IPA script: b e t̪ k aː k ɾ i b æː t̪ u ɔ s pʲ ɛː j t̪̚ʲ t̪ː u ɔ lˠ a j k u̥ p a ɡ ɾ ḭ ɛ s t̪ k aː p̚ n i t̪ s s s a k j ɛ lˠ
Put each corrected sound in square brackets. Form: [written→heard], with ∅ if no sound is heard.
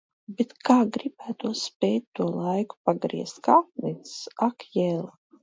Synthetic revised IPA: b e t̪ k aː [k→ɡ] ɾ i b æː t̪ u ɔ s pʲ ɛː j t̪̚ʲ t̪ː u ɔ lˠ a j k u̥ p a ɡ ɾ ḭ ɛ s t̪ k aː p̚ n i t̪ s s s a k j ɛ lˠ

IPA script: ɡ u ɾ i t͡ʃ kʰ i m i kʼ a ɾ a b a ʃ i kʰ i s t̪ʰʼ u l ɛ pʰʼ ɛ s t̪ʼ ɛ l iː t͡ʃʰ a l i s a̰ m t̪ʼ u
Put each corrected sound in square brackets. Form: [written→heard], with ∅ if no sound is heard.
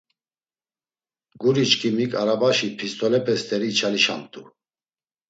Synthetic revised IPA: ɡ u ɾ i t͡ʃ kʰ i m i kʼ a ɾ a b a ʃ i [kʰ→pʰ] i s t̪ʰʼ [u→ɔ] l ɛ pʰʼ ɛ s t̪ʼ ɛ [l→ɾ] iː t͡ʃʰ a l i [s→ʃ] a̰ m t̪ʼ u

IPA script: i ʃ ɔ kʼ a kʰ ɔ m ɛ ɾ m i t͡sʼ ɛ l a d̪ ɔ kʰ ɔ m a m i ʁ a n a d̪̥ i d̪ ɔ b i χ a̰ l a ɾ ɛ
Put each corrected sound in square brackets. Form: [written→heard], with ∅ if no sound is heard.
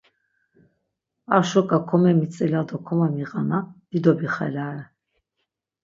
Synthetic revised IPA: [i→a] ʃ ɔ kʼ a kʰ ɔ m ɛ [ɾ→∅] m i t͡sʼ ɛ l a d̪ ɔ kʰ ɔ m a m i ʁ a n a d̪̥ i d̪ ɔ b i χ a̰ l a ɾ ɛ

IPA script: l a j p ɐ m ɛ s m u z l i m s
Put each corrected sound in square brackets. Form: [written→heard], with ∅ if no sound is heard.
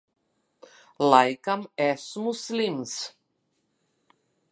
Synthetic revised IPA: l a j [p→k] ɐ m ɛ s m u [z→s] l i m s

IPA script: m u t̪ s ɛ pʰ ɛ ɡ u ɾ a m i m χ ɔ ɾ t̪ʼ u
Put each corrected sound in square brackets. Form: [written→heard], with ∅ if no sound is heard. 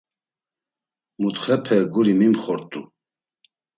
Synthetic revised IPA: m u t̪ [s→χ] ɛ pʰ ɛ ɡ u ɾ [a→i] m i m χ ɔ ɾ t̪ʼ u

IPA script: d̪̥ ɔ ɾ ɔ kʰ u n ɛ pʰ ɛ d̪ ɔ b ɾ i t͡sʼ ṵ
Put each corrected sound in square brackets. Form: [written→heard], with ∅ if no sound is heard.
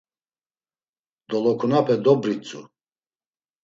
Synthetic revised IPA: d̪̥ ɔ [ɾ→l] ɔ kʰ u n [ɛ→a] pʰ ɛ d̪ ɔ b ɾ i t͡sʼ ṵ

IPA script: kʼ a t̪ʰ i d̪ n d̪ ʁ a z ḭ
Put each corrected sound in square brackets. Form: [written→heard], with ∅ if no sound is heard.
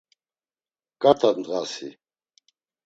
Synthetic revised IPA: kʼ a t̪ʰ [i→a] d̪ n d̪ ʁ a [z→s] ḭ

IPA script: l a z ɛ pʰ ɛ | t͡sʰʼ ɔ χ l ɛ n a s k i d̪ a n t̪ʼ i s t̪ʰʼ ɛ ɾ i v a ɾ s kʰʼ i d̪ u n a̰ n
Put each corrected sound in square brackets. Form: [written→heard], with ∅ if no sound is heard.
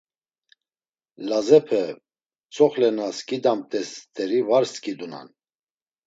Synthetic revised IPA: l a z ɛ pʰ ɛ | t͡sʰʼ ɔ χ l ɛ n a s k i d̪ a [n→m] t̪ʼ [i→ɛ] s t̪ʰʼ ɛ ɾ i v a ɾ s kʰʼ i d̪ u n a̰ n

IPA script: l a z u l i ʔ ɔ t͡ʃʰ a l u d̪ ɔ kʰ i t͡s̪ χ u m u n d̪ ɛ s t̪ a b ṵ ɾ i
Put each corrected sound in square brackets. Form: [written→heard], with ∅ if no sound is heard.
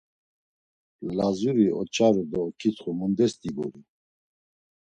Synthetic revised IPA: l a z u [l→ɾ] i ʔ ɔ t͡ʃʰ a [l→ɾ] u d̪ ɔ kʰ i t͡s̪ χ u m u n d̪ ɛ s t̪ [a→i] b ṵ ɾ i

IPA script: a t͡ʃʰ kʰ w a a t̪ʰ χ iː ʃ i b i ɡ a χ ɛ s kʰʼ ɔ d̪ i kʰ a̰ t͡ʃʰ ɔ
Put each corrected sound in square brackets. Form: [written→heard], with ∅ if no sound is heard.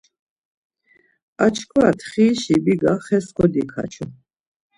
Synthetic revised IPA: a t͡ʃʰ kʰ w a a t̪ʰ χ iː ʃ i b i ɡ a χ ɛ s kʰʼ ɔ d̪ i kʰ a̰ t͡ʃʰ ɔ

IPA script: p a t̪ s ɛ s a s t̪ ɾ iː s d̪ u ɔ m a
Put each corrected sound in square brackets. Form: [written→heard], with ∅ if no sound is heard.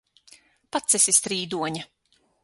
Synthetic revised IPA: p a t̪ s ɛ s [a→i] s t̪ ɾ iː [s→∅] d̪ u ɔ [m→ɲ] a

